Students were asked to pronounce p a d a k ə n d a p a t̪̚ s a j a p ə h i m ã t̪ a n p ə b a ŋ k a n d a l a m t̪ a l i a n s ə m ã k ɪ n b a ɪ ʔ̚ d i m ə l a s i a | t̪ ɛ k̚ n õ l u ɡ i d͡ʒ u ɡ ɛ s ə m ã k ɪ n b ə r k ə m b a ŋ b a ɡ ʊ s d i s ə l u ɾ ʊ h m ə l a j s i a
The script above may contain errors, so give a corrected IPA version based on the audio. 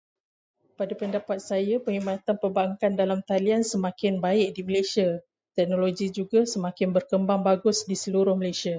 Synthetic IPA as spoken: p a d a p ə n d a p a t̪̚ s a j a p ə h i m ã t̪ a n p ə b a ŋ k a n d a l a m t̪ a l i a n s ə m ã k ɪ n b a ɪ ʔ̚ d i m ə l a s i a | t̪ ɛ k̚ n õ l o ɡ i d͡ʒ u ɡ a s ə m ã k ɪ n b ə r k ə m b a ŋ b a ɡ ʊ s d i s ə l u ɾ ʊ h m ə l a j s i a